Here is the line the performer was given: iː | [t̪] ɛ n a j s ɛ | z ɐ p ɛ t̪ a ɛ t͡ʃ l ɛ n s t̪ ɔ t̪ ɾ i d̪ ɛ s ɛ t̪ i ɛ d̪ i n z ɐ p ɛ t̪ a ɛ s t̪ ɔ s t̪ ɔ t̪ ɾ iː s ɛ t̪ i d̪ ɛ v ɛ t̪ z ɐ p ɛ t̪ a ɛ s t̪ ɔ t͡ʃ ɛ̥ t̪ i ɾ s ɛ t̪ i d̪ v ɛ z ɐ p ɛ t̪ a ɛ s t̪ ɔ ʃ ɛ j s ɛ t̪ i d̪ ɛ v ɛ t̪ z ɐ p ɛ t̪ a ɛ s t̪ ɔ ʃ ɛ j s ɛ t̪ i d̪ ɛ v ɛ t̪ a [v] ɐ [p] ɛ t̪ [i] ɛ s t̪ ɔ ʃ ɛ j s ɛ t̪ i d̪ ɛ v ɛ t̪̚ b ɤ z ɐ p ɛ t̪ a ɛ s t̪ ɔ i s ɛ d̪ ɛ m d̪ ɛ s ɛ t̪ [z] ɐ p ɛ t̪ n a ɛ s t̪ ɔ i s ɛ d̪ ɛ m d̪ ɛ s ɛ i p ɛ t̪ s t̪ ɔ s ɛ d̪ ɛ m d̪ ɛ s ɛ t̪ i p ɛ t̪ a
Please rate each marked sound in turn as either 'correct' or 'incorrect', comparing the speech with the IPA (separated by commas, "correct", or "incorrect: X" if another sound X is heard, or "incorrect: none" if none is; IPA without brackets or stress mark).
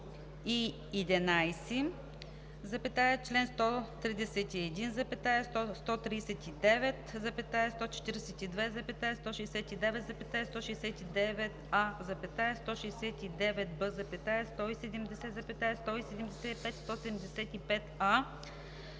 incorrect: d̪, incorrect: z, correct, incorrect: a, correct